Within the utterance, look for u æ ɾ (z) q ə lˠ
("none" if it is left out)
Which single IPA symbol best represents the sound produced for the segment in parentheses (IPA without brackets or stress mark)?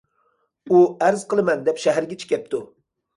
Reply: z